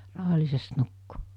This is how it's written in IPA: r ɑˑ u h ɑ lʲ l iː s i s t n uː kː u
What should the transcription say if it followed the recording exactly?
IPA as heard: r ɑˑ u h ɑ lʲ l i s e s t n u kː u

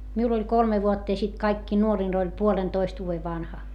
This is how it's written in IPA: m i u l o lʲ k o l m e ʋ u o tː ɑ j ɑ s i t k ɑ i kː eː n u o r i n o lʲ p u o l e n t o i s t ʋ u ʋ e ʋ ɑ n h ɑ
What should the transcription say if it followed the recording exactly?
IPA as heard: m i u l o lʲ k o l m e ʋ u o tː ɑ j ɑ s i t k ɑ i kː iː n u o r i n o lʲ p u o l e n t o i s t ʋ uː ʋ e ʋ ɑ n h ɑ

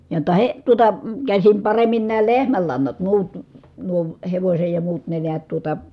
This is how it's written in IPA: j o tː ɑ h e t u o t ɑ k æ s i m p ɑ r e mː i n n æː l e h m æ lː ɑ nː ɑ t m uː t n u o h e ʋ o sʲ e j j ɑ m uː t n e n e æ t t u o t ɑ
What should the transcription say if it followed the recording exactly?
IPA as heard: j o tː ɑ h e t u o t ɑ k æ s i m p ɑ r e mː i n n æː l e h m æ lː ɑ nː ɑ t m uː t n u o h e ʋ o sʲ e j j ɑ m uː t n e n e æ t t u o t ɑ

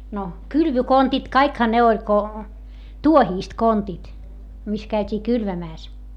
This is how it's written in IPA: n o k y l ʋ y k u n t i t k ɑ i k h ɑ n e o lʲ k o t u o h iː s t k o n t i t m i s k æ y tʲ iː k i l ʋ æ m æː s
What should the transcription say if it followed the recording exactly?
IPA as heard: n o k y l ʋ y k o n t i t k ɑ i k h ɑ n e o lʲ k o t u o h iː s t k o n t i t m i s k æ y tʲ iː k y l ʋ æ m æː s

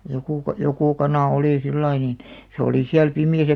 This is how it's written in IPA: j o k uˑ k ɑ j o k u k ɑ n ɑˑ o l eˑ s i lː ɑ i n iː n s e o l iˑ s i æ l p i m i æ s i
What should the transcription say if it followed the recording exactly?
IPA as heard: j o k uˑ k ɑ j o k u k ɑ n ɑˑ o l iˑ s i lː ɑ i n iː n s e o l iˑ s i æ l p i m i æ s æ

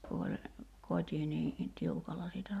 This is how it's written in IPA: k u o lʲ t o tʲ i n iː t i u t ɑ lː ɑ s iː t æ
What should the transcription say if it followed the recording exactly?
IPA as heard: k u o lʲ k o tʲ i n iː t i u k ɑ lː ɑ s iː t æ

